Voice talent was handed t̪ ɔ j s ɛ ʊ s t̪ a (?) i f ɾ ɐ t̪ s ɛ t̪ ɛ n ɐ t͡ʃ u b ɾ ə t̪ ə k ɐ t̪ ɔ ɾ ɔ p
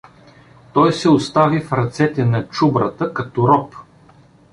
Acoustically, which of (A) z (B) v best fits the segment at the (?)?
B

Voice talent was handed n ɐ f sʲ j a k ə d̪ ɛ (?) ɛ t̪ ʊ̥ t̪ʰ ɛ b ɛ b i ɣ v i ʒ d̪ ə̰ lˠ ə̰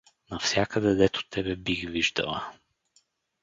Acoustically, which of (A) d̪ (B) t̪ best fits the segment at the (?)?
A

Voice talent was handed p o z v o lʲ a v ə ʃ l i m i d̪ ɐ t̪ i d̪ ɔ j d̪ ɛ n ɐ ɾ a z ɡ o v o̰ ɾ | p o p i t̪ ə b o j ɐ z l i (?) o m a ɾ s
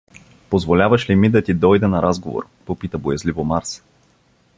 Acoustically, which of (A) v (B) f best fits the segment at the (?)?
A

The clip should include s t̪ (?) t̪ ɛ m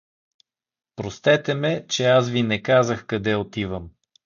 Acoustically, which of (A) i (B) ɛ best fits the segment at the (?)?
B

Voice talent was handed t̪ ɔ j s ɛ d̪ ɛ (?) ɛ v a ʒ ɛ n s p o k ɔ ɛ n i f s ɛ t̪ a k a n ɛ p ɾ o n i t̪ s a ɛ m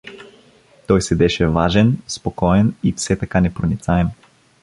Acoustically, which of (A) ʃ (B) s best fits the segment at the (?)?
A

